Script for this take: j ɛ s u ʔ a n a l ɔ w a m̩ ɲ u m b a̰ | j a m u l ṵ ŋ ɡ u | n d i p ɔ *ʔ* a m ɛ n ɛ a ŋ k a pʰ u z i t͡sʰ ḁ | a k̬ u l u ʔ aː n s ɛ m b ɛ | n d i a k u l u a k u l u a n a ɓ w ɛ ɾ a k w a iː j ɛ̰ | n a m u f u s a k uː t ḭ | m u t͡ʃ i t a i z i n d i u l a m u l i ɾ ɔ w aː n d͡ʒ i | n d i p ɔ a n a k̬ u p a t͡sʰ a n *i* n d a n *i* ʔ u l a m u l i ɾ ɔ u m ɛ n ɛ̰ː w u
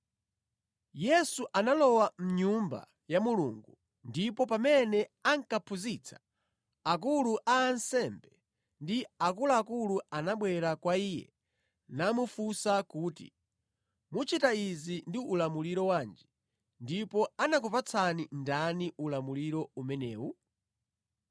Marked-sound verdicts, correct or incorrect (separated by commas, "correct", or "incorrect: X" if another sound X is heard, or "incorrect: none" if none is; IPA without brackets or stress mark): incorrect: p, correct, correct